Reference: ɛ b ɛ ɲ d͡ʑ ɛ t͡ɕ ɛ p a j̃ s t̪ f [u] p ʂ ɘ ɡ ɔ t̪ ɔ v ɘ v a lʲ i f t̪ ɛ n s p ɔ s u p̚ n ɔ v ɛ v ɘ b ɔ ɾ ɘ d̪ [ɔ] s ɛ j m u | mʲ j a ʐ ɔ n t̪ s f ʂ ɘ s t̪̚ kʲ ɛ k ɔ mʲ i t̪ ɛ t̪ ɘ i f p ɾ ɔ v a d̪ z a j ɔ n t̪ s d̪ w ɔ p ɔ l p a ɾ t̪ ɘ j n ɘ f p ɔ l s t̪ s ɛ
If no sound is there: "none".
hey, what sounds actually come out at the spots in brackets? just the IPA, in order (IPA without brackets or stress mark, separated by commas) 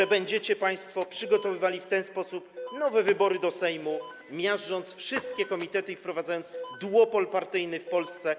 ɔ, ɔ